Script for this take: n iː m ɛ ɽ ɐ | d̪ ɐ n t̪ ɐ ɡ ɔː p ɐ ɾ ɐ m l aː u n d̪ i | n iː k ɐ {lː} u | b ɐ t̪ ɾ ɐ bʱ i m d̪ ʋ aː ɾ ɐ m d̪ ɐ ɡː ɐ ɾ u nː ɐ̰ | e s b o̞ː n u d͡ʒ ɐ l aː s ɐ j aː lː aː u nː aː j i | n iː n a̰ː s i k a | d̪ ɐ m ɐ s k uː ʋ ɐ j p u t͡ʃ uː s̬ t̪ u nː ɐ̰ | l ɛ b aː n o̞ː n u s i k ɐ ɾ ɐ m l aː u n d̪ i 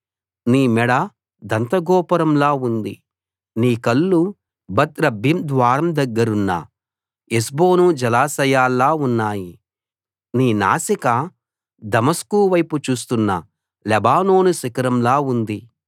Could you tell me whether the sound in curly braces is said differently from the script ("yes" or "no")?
no